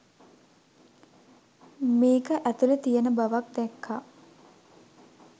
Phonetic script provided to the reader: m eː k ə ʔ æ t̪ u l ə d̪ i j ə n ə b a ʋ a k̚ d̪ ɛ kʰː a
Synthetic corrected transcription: m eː k ə ʔ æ t̪ u l ə t̪ i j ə n ə b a ʋ a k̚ d̪ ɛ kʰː a